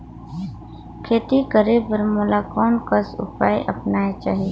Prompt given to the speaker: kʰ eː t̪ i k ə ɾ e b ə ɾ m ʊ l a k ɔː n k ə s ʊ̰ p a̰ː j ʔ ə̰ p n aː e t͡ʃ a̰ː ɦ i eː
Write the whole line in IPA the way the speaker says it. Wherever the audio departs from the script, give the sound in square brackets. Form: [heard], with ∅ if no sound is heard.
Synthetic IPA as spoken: kʰ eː t̪ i k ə ɾ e b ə ɾ m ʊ l a k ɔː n k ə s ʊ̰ p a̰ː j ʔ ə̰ p n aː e t͡ʃ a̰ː ɦ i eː